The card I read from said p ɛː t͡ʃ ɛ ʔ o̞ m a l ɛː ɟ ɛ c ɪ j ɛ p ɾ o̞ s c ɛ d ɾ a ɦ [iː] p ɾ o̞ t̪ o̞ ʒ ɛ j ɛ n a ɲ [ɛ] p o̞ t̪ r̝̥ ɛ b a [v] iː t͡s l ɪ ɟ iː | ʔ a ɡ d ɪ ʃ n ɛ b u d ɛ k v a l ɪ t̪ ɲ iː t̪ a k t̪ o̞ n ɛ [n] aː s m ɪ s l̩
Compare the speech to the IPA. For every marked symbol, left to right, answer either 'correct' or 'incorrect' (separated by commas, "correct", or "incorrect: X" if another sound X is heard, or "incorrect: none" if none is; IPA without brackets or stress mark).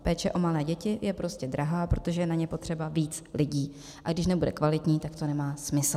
incorrect: aː, correct, correct, incorrect: m